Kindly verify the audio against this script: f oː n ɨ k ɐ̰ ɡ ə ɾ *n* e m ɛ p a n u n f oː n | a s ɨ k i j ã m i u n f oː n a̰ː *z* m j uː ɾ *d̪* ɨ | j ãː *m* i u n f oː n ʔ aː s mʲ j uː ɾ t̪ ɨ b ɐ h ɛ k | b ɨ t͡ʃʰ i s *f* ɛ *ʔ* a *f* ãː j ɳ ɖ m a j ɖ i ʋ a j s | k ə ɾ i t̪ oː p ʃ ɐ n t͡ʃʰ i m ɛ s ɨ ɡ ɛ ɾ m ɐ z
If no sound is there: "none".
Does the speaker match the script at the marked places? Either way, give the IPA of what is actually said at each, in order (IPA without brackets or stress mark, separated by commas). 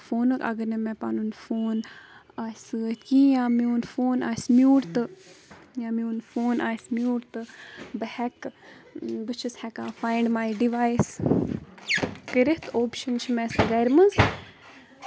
n, s, t̪, m, h, k, f